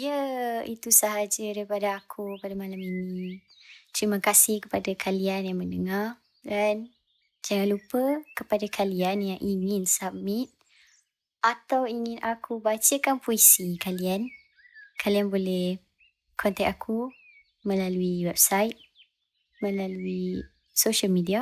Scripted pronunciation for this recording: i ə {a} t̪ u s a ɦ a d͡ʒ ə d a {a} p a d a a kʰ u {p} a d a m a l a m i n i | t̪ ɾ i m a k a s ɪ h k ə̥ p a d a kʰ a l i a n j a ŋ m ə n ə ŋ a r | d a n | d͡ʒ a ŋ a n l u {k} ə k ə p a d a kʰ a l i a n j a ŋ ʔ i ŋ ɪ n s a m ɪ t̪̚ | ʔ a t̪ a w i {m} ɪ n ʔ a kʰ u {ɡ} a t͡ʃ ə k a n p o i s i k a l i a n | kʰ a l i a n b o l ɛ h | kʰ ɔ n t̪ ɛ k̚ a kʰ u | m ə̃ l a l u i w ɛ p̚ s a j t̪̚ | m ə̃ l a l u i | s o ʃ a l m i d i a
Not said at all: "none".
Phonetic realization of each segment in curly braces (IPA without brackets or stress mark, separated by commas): i, i, p, p, ŋ, b